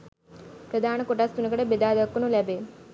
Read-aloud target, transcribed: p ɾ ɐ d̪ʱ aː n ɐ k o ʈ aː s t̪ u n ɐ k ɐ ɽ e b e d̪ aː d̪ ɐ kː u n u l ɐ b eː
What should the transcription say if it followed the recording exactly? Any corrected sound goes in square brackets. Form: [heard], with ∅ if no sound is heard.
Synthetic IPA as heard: p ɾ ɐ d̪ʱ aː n ɐ k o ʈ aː s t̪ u n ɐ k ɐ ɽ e b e d̪ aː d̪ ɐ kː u n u l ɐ b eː